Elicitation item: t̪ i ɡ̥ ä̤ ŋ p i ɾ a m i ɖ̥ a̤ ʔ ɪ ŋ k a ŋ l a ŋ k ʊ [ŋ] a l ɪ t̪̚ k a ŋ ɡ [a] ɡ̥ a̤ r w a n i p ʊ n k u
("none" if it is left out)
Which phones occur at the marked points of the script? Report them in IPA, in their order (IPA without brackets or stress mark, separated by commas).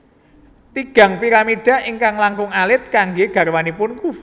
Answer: ŋ, e